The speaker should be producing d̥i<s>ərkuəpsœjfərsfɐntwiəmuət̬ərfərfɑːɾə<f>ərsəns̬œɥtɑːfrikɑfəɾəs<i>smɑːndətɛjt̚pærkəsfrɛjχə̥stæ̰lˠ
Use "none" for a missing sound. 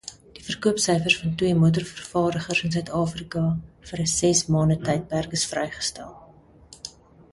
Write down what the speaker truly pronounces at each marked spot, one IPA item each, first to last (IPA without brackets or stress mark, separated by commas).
f, χ, ɛ